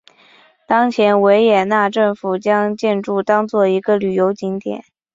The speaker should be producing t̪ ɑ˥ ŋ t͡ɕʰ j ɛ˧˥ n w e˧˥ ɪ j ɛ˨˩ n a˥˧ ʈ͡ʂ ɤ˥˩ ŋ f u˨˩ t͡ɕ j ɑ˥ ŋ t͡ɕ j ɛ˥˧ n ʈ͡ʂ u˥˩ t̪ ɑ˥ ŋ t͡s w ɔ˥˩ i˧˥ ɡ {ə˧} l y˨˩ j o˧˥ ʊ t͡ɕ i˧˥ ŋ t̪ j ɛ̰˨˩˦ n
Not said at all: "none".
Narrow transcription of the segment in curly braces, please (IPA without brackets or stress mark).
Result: ə˧